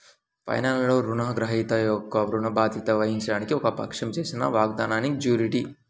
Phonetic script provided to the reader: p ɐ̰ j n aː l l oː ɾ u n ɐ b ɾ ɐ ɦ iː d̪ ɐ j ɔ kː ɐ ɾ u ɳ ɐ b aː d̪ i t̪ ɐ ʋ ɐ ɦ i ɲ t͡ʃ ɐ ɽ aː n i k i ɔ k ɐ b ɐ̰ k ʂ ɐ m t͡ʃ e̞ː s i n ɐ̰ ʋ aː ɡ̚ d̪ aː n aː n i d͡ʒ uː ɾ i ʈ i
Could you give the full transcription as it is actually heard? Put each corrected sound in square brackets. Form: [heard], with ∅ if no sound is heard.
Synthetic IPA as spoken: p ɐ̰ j n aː l l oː ɾ u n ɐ [ɡ] ɾ ɐ ɦ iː [t̪] ɐ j ɔ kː ɐ ɾ u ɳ ɐ b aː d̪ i t̪ ɐ ʋ ɐ ɦ i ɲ t͡ʃ ɐ ɽ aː n i k i ɔ k ɐ [p] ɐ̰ k ʂ ɐ m t͡ʃ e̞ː s i n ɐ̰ ʋ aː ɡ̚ d̪ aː n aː n i d͡ʒ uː ɾ i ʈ i